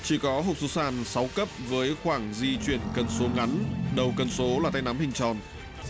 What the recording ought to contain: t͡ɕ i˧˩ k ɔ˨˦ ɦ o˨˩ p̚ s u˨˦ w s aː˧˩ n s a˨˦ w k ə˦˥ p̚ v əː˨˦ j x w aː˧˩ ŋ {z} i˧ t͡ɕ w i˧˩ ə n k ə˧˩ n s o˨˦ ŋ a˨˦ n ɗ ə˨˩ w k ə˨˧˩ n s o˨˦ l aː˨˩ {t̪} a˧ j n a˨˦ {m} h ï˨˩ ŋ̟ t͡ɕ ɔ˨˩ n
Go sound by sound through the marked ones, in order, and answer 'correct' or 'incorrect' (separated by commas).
correct, correct, correct